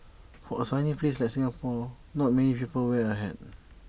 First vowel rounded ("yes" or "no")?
yes